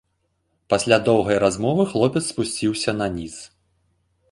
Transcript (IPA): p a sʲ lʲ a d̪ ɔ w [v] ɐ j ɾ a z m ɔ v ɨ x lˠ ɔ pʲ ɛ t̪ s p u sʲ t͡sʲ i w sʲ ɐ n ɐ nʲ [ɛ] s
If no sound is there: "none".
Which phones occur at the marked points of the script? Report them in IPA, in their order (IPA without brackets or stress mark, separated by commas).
ɣ, i